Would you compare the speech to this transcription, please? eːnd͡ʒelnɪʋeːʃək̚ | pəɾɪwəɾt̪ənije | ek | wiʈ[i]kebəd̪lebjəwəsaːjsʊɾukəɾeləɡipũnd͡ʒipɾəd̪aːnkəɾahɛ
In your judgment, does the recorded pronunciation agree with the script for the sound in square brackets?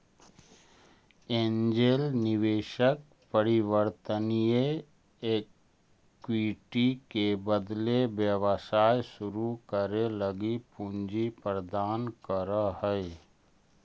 yes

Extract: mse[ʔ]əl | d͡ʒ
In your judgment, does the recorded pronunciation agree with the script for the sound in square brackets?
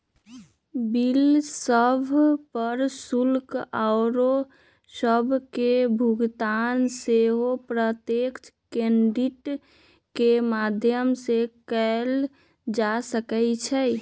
no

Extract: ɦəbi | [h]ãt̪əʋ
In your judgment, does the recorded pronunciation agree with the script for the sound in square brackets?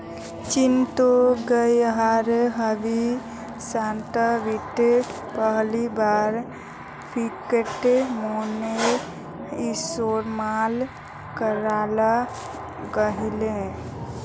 no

